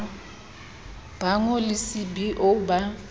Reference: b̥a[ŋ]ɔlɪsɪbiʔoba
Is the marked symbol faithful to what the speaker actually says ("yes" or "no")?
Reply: yes